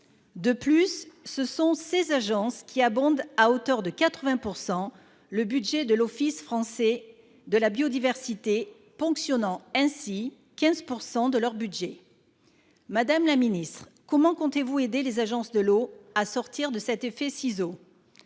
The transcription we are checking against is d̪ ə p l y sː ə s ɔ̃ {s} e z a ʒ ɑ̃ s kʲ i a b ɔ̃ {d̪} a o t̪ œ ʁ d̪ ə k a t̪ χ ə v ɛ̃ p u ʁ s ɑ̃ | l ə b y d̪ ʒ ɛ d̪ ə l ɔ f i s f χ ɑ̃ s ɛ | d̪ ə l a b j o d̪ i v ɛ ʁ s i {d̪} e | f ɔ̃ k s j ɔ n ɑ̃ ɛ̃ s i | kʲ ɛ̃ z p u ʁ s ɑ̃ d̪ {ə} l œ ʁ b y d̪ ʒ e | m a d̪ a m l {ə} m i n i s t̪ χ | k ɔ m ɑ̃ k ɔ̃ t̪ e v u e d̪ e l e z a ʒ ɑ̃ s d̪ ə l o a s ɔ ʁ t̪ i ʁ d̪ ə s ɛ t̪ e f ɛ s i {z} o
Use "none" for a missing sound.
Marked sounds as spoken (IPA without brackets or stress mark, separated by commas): s, d̪, t̪, ə, a, z